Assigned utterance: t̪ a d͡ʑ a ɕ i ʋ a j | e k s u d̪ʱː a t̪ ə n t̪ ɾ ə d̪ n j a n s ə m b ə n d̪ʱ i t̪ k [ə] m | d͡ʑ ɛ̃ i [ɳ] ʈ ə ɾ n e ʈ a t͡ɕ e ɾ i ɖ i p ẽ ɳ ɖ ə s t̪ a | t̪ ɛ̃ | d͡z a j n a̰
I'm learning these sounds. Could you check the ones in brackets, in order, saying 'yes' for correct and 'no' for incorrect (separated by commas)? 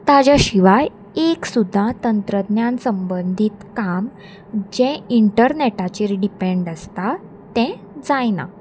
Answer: no, yes